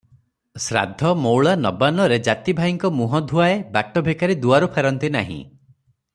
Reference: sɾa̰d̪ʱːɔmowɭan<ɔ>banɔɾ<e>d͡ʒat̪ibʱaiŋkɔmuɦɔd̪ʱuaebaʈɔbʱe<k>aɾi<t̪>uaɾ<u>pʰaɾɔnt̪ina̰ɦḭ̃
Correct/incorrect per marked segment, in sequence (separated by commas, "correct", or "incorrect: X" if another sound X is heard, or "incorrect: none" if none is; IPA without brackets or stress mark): correct, correct, correct, incorrect: d̪, correct